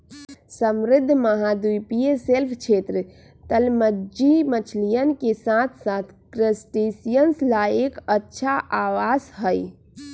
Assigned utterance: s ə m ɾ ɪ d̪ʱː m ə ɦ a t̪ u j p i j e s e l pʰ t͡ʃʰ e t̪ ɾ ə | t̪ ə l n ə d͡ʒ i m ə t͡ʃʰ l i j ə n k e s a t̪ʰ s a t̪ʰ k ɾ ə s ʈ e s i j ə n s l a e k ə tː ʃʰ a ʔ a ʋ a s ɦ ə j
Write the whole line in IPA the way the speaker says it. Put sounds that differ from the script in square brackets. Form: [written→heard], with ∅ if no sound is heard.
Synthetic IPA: s ə m ɾ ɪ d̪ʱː m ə ɦ a [t̪→d̪] u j p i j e s e l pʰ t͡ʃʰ e t̪ ɾ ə | t̪ ə l [n→m] ə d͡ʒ i m ə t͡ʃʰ l i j ə n k e s a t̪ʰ s a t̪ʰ k ɾ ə s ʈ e s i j ə n s l a e k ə tː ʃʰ a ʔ a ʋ a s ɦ ə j